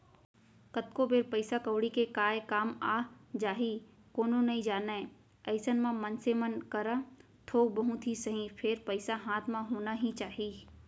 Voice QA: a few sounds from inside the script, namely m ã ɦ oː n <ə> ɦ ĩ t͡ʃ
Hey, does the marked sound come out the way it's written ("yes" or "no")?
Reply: no